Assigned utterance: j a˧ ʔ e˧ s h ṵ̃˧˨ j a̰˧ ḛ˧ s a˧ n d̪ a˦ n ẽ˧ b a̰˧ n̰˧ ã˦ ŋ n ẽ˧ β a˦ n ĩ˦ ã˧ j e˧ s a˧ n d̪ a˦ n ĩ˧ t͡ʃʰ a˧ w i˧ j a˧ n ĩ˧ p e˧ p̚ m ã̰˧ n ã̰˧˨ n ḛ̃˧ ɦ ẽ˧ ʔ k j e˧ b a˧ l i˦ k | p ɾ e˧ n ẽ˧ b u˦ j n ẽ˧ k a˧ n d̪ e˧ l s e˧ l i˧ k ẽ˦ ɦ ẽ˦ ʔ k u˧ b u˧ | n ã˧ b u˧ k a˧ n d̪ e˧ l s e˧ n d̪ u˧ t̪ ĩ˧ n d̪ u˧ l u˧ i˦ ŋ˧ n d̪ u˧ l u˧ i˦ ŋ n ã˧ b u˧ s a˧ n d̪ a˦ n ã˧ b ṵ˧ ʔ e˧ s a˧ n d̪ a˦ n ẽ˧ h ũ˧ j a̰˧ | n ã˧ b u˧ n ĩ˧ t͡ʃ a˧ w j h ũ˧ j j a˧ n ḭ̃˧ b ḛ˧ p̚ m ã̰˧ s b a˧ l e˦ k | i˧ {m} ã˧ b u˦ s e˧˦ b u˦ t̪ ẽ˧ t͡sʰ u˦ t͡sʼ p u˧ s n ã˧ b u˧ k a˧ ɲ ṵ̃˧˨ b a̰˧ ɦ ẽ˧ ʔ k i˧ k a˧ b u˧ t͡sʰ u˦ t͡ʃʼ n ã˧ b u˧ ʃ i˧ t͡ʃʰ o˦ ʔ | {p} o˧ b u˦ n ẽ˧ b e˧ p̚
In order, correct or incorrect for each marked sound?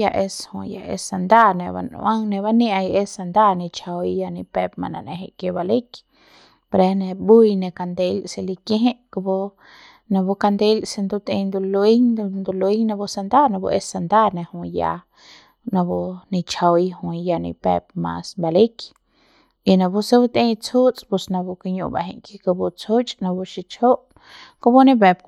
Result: incorrect: n, incorrect: k

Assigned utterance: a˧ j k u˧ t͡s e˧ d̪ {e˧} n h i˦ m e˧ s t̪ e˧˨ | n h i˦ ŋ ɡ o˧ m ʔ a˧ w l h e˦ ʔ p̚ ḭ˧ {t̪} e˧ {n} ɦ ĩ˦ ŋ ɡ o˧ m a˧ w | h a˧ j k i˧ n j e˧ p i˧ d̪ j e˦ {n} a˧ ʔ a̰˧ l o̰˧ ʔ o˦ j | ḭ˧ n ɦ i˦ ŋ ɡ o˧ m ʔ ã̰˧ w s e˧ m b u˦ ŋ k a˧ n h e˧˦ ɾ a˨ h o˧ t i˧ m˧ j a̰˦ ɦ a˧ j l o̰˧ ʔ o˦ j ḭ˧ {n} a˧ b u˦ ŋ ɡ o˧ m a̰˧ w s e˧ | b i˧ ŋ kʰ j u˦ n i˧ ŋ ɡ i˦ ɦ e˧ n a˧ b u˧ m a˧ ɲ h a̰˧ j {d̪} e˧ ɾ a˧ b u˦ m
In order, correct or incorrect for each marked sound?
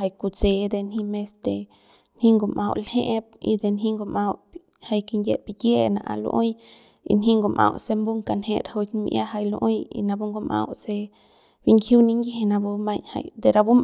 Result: correct, incorrect: d̪, correct, correct, correct, correct

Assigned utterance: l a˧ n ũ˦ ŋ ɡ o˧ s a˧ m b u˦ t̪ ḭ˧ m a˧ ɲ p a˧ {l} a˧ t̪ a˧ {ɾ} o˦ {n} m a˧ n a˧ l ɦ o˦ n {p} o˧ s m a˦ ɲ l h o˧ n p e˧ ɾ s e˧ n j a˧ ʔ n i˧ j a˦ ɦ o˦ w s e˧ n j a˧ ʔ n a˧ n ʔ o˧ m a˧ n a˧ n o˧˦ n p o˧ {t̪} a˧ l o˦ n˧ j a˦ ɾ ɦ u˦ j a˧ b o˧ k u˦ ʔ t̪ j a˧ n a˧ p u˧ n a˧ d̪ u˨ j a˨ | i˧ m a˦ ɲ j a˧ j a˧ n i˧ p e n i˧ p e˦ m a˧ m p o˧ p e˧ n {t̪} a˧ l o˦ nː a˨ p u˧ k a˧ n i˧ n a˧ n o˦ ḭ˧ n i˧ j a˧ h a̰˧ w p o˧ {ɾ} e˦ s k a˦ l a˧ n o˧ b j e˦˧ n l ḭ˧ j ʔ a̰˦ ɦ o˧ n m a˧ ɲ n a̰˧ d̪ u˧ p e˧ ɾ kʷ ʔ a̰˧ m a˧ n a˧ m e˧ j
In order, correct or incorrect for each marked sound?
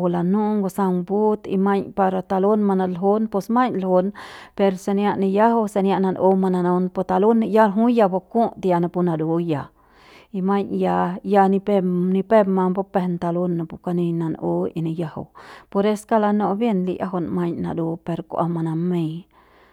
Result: incorrect: ɾ, incorrect: l, correct, correct, correct, correct, correct

